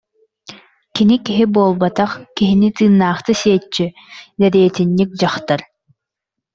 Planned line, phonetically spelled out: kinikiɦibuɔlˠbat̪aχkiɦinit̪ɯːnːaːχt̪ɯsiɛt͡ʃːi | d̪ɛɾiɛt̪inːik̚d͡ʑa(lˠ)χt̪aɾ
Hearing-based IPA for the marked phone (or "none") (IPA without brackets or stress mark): none